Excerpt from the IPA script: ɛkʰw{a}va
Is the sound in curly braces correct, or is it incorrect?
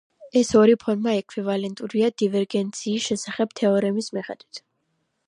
incorrect